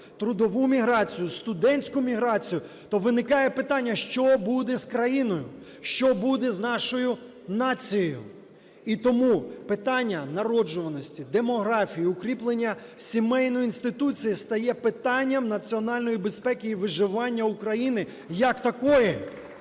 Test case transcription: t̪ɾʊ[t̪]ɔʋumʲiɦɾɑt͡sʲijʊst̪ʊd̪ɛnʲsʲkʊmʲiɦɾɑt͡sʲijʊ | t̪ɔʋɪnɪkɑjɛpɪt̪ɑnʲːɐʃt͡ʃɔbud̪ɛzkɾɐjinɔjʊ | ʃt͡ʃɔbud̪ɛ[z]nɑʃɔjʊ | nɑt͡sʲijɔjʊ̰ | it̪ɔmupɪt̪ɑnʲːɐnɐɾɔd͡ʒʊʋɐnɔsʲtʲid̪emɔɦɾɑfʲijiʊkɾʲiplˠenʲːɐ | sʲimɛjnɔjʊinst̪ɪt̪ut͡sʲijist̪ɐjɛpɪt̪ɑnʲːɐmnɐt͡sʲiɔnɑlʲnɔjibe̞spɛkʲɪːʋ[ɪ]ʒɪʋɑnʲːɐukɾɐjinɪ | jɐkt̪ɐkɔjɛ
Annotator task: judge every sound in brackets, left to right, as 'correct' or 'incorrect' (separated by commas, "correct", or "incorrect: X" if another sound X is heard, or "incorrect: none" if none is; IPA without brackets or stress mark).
incorrect: d̪, correct, correct